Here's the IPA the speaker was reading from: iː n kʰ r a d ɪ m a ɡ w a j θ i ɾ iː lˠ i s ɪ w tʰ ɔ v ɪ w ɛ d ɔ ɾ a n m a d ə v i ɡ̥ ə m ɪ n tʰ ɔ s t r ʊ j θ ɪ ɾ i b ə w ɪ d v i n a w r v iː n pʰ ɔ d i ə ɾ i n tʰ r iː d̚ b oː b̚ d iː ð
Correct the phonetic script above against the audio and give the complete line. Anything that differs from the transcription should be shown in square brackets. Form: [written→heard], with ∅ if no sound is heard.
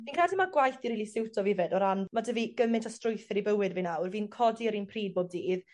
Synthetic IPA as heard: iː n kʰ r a d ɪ m a ɡ w a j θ i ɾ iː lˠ i s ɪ w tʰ ɔ v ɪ [w→v] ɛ d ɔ ɾ a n m a d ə v i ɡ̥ ə m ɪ n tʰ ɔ s t r ʊ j θ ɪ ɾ i b ə w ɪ d v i n a w r v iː n [pʰ→kʰ] ɔ d i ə ɾ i n [tʰ→pʰ] r iː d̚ b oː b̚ d iː ð

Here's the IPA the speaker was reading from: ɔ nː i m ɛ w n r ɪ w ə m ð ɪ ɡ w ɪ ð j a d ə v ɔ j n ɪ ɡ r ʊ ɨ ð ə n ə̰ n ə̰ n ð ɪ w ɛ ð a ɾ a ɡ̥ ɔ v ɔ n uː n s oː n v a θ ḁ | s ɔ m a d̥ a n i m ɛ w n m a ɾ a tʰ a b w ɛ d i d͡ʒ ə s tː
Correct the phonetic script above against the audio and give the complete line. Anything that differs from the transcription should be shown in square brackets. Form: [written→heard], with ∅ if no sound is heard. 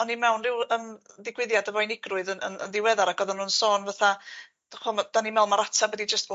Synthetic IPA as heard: ɔ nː i m ɛ w n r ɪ w ə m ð ɪ ɡ w ɪ ð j a d ə v ɔ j n ɪ ɡ r ʊ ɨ ð ə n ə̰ n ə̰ n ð ɪ w ɛ ð a ɾ a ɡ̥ ɔ [v→ð] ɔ n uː n s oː n v a θ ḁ | [s→χ] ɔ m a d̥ a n i m ɛ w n m a ɾ a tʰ a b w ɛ d i d͡ʒ ə s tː

